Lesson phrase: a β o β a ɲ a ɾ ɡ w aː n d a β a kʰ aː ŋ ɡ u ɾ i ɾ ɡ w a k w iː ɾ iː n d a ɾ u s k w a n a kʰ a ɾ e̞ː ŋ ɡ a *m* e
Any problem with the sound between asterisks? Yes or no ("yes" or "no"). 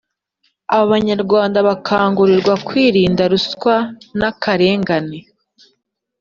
yes